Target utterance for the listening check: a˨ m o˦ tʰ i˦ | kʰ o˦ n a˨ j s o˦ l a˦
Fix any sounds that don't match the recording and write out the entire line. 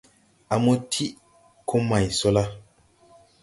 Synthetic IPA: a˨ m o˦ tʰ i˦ | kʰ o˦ m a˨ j s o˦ l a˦